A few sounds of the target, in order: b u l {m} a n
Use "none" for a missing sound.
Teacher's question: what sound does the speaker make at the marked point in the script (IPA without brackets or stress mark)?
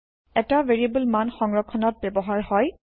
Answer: m